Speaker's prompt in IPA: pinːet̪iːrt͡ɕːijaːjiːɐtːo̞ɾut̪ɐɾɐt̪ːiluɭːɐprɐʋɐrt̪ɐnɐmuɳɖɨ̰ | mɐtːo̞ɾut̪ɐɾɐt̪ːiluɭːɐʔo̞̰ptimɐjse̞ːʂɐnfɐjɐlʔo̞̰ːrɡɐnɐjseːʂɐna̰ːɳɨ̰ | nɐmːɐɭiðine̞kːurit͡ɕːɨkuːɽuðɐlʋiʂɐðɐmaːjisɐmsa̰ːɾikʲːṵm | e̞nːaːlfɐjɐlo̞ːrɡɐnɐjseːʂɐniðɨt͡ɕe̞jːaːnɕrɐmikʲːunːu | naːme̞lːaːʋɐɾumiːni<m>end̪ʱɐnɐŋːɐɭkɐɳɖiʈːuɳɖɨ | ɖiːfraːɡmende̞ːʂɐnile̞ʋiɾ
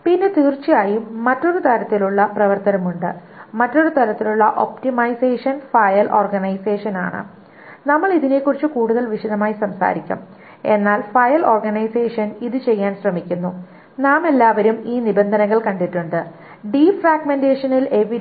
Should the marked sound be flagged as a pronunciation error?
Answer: yes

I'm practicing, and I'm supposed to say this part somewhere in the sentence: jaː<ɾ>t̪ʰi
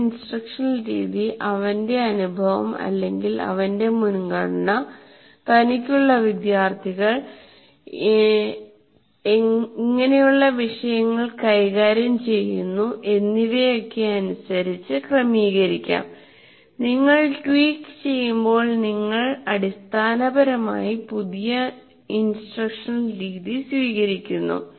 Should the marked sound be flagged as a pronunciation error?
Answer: yes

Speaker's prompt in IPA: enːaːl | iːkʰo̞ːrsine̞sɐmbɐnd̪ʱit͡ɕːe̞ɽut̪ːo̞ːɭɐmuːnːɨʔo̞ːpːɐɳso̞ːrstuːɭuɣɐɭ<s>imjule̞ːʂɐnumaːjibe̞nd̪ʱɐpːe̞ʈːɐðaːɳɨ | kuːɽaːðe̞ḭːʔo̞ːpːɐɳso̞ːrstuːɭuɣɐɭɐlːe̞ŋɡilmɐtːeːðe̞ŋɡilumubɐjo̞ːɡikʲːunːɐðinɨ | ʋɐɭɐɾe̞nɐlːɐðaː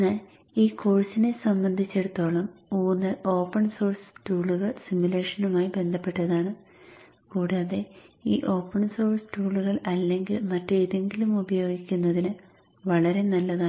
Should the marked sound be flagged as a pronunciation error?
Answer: no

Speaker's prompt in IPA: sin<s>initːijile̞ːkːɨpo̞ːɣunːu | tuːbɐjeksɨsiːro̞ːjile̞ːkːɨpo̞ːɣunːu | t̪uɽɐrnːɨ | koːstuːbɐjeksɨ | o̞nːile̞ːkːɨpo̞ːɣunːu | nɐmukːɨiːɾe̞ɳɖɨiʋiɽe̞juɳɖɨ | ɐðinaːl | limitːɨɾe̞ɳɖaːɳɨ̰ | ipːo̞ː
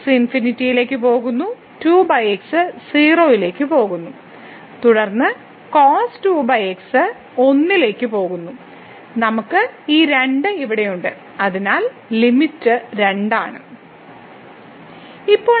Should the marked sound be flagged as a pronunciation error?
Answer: yes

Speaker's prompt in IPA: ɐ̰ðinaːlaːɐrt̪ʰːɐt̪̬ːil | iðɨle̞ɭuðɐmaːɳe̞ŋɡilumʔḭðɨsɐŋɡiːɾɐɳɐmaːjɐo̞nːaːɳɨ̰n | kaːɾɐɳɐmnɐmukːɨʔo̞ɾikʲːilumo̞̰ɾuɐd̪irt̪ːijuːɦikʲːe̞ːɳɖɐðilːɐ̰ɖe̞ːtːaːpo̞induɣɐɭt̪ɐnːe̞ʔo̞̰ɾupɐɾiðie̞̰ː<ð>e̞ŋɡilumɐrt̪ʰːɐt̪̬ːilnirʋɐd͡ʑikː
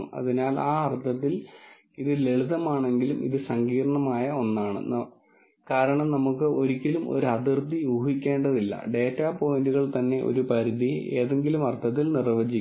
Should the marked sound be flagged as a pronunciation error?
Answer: no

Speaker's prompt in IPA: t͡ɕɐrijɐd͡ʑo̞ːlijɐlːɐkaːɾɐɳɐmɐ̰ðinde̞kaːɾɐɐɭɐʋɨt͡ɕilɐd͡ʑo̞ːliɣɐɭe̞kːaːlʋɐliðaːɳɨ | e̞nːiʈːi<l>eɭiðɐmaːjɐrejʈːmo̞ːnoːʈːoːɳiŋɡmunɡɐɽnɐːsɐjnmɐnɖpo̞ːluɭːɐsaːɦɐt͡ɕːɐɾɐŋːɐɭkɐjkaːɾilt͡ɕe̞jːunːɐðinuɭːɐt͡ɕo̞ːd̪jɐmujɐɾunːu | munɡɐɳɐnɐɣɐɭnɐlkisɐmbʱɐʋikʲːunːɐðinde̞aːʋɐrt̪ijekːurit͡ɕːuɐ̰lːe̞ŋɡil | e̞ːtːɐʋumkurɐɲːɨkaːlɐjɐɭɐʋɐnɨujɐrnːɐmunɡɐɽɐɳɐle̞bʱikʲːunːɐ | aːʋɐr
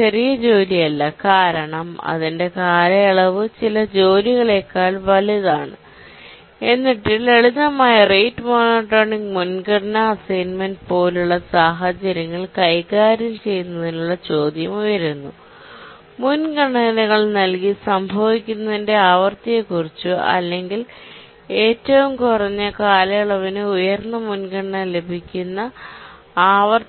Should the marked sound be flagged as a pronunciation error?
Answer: no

